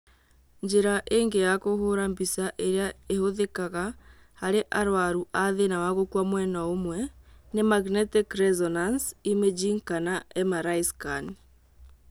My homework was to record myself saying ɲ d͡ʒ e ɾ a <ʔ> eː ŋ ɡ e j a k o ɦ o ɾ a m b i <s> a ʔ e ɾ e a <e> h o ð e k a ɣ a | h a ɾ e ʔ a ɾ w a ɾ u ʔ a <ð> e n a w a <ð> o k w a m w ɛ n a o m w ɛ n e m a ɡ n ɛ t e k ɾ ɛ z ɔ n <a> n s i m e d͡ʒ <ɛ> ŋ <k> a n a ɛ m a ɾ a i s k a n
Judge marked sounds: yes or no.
yes, yes, yes, yes, no, yes, no, yes

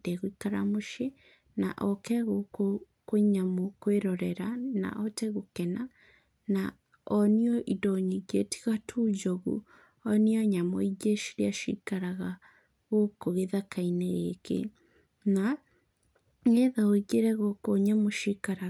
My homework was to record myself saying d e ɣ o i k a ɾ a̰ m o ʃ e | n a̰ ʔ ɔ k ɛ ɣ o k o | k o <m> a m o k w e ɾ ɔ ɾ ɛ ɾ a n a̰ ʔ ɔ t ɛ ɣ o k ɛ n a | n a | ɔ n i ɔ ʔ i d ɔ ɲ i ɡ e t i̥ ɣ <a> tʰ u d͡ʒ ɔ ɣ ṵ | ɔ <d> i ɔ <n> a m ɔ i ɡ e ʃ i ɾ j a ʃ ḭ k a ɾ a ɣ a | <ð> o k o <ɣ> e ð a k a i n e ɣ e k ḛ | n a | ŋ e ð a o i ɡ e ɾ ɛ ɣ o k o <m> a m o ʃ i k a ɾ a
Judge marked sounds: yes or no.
no, yes, no, no, no, yes, no

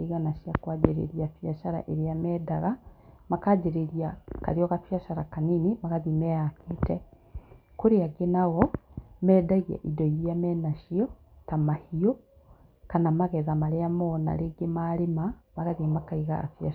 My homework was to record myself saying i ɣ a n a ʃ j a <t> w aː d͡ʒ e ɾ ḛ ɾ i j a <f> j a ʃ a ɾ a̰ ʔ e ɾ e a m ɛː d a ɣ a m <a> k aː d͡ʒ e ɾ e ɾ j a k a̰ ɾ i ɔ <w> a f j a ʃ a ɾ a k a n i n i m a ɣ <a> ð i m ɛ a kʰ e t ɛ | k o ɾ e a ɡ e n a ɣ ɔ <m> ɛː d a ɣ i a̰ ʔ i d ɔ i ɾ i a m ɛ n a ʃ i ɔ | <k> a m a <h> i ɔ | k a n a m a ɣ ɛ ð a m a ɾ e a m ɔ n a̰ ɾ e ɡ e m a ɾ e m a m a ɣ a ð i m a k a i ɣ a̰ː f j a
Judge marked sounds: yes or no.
no, yes, yes, no, yes, yes, no, yes

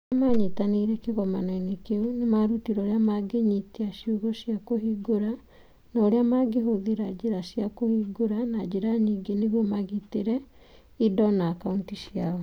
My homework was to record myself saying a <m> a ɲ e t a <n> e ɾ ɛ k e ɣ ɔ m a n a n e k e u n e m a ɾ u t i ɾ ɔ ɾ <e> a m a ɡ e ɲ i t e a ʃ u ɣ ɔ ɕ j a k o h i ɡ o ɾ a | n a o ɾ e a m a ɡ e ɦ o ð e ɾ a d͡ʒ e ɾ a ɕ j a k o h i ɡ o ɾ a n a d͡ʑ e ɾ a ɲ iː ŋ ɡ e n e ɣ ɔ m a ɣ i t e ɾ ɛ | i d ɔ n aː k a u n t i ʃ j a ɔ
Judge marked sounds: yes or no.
yes, yes, yes

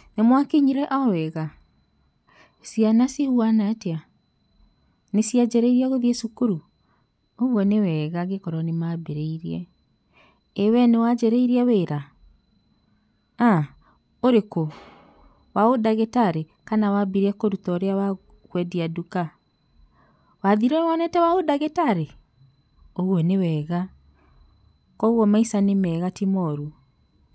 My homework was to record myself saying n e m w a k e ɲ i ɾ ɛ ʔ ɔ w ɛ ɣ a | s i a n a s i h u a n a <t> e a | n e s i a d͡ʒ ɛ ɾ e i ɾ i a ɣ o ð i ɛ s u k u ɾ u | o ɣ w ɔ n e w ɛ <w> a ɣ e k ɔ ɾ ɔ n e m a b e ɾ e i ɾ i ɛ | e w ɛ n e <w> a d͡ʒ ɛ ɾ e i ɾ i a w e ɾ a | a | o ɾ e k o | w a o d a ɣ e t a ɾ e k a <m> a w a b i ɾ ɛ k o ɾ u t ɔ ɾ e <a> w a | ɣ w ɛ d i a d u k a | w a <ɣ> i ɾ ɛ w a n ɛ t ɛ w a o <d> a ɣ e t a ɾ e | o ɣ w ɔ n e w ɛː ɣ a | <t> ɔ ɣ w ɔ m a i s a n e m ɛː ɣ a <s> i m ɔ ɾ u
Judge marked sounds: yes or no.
yes, no, yes, no, yes, no, yes, no, no

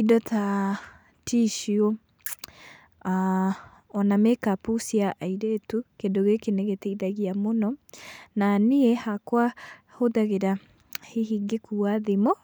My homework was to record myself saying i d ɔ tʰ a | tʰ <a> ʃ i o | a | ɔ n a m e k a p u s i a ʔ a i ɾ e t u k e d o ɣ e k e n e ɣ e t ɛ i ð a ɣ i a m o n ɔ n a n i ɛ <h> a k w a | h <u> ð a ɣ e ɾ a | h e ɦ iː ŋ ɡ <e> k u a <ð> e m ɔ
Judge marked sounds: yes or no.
no, yes, no, yes, yes

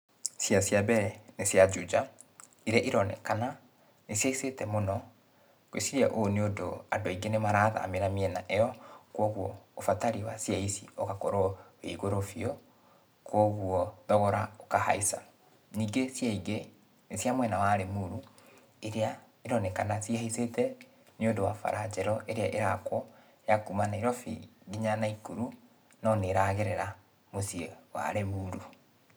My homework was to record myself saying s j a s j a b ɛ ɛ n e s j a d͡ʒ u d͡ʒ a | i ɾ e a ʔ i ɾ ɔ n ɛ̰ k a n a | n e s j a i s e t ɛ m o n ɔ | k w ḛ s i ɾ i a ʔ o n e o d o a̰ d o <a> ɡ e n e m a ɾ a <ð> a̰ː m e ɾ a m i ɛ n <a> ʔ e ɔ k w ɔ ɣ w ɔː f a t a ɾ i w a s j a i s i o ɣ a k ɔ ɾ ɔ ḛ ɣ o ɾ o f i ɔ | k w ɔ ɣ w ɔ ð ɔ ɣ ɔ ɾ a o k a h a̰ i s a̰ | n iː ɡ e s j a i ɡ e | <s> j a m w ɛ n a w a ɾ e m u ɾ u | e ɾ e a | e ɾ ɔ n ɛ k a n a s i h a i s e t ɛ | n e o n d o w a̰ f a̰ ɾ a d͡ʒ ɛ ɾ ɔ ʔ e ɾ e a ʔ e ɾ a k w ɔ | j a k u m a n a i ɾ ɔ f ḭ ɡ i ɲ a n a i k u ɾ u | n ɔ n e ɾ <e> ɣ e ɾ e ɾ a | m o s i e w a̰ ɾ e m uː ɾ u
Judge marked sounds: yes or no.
no, yes, yes, yes, no

